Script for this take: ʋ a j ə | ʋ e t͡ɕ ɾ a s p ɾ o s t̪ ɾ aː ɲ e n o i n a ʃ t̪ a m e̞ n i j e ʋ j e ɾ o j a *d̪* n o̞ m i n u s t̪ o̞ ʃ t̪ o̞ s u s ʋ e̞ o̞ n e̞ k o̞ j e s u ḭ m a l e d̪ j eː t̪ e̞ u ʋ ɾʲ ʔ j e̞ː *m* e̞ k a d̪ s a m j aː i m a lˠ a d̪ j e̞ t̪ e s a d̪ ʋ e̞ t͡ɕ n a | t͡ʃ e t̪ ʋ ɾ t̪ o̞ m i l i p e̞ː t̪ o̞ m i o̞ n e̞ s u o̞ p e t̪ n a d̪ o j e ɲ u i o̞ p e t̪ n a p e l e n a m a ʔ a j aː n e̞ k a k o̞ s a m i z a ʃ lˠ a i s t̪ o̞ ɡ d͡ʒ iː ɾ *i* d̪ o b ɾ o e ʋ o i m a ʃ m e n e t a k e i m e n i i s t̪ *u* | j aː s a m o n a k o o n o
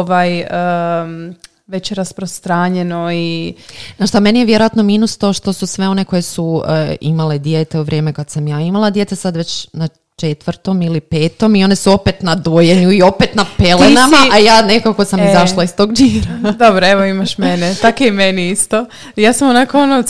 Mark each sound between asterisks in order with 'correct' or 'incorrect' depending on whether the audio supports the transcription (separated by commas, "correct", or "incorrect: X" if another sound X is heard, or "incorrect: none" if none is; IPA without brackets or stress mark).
incorrect: t̪, correct, incorrect: a, incorrect: o